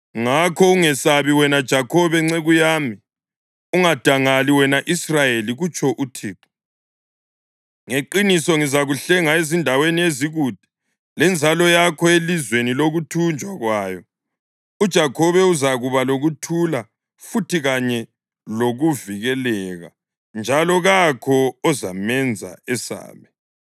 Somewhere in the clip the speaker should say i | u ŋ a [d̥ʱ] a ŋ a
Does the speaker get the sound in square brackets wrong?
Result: no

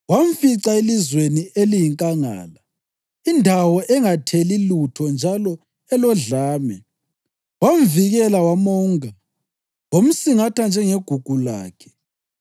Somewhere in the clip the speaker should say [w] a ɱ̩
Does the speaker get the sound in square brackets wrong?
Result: no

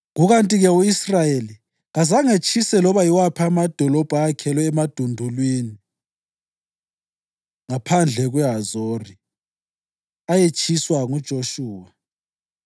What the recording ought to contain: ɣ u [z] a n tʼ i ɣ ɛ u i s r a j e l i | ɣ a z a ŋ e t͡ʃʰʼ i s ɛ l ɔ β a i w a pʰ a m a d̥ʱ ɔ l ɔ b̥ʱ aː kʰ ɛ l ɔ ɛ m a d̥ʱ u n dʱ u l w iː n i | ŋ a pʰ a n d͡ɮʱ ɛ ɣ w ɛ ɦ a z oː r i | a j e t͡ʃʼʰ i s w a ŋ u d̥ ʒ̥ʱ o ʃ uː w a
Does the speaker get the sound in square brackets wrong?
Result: yes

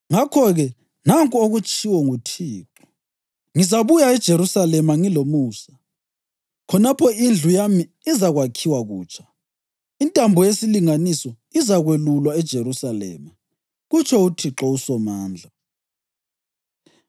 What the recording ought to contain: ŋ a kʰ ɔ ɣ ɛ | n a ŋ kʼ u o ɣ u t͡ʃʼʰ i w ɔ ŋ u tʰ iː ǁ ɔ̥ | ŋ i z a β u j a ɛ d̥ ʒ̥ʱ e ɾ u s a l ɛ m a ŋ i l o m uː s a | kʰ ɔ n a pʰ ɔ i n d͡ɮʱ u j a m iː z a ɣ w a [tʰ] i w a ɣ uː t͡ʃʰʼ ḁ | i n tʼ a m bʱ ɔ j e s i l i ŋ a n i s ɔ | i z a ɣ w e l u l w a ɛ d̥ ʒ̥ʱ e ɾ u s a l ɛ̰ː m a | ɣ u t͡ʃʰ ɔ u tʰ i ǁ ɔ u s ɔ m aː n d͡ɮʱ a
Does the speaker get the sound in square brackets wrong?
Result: yes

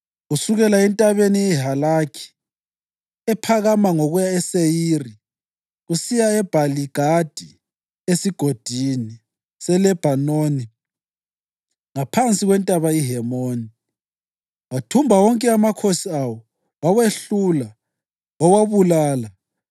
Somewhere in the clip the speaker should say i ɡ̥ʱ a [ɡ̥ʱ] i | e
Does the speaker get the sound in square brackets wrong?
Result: yes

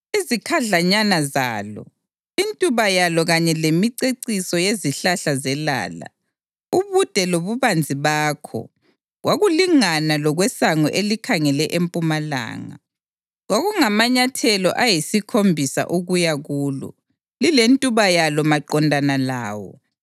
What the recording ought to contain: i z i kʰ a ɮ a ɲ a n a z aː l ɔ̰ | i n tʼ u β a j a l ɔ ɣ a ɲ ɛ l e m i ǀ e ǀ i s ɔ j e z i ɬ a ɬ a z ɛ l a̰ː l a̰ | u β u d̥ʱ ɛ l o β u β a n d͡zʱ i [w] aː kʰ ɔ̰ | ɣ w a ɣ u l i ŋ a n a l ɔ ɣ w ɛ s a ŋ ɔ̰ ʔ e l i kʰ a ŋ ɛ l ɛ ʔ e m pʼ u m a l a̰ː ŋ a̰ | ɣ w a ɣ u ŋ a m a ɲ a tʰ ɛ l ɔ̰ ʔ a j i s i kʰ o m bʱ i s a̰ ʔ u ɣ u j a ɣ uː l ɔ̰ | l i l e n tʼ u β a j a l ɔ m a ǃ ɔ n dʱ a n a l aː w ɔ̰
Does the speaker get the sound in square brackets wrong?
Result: yes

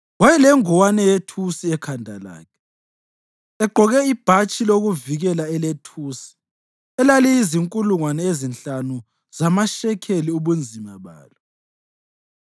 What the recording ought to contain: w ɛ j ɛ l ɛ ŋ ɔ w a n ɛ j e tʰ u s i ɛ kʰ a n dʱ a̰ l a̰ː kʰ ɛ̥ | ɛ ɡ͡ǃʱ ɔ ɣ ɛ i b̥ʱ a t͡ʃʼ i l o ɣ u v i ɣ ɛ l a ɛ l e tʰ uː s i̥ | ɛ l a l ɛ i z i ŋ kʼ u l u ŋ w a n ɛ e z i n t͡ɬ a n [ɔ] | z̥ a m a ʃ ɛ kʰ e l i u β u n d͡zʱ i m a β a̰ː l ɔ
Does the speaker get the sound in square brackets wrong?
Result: yes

